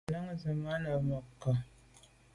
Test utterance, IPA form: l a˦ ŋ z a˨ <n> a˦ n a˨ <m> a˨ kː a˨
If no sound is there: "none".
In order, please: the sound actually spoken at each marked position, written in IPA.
m, m

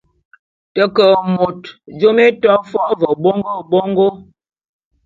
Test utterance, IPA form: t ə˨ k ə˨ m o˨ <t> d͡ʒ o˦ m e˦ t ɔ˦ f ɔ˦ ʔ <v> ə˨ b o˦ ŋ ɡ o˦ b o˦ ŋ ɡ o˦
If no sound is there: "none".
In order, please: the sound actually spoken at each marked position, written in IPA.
t, v

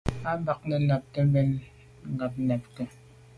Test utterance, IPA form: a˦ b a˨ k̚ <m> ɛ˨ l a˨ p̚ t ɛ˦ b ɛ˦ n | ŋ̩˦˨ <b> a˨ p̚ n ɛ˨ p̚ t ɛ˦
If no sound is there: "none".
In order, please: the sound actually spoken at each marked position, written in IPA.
n, ɡ

